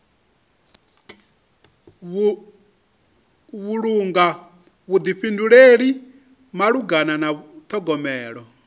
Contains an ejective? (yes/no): no